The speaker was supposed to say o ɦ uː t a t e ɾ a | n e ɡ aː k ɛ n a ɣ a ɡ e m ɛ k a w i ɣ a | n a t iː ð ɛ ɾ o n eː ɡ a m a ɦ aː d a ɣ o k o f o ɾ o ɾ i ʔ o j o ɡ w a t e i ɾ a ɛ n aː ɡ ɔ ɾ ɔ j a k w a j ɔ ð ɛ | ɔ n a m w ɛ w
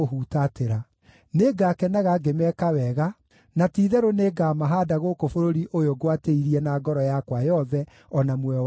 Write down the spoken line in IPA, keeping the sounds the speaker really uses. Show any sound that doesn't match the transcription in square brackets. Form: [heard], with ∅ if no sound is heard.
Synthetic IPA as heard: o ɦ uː t a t e ɾ a | n e ɡ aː k ɛ n a ɣ a ɡ e m ɛ k a w [ɛ] ɣ a | n a t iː ð ɛ ɾ o n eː ɡ a m a ɦ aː d a ɣ o k o f o ɾ o ɾ i ʔ o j o ɡ w a t e i ɾ [i] ɛ n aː ɡ ɔ ɾ ɔ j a k w a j ɔ ð ɛ | ɔ n a m w ɛ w